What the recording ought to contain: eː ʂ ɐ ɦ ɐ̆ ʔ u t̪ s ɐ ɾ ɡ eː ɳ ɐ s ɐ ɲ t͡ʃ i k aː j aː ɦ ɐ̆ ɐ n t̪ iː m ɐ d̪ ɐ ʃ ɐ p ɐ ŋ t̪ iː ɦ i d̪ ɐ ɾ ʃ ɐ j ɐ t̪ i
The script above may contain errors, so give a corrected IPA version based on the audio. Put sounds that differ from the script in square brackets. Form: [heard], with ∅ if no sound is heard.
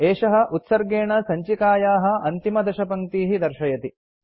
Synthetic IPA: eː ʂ ɐ ɦ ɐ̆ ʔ u t̪ s ɐ ɾ ɡ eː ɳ ɐ s ɐ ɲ t͡ʃ i k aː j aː ɦ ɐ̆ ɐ n t̪ [i] m ɐ d̪ ɐ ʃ ɐ p ɐ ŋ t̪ iː ɦ i d̪ ɐ ɾ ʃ ɐ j ɐ t̪ i